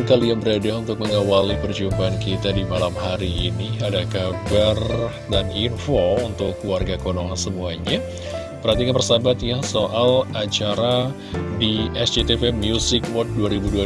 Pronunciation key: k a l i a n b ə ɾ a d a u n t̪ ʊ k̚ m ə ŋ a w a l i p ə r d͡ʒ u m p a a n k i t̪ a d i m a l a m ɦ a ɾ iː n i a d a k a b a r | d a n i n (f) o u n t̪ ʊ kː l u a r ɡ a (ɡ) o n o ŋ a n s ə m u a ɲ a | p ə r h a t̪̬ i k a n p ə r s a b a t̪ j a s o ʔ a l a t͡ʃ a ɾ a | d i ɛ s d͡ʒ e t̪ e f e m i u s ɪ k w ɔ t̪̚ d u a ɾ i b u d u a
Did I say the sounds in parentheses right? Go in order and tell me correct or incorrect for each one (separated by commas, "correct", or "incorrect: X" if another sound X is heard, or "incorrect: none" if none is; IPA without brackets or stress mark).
correct, incorrect: k